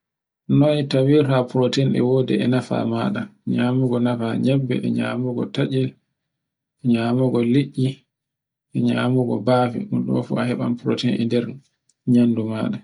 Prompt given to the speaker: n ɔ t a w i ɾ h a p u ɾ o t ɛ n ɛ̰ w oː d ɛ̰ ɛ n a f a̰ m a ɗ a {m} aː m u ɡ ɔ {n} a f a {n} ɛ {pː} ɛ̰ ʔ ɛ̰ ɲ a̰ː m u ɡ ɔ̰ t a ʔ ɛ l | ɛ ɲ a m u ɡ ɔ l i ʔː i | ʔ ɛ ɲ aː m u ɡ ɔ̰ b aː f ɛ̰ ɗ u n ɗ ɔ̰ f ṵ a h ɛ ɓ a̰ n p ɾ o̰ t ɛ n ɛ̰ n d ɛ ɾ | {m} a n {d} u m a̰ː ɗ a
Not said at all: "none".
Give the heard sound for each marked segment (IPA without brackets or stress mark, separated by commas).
ɲ, n, ɲ, bː, ɲ, d